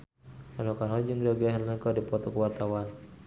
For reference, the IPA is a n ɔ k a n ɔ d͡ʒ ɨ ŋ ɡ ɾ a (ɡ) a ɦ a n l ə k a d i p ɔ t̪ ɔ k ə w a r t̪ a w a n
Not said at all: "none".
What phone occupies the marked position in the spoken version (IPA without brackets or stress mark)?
ɡ